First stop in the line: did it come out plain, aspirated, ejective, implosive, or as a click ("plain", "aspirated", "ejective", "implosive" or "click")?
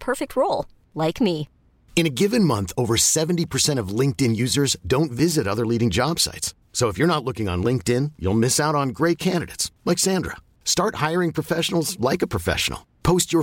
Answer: aspirated